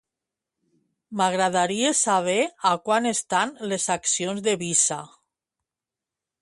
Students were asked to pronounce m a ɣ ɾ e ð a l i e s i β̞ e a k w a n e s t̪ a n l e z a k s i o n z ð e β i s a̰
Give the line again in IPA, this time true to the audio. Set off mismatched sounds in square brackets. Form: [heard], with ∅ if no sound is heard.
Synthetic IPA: m a ɣ ɾ [a] ð a [ɾ] i e s [a] β̞ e a k w a n e s t̪ a n l e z a k s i o n z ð e β i s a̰